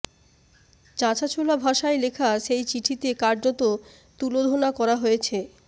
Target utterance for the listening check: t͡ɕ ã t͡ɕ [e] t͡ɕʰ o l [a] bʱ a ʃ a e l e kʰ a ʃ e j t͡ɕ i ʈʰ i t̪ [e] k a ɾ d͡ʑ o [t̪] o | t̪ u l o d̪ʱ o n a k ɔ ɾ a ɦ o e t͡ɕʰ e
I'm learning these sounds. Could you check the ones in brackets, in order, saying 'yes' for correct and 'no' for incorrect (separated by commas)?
no, yes, yes, yes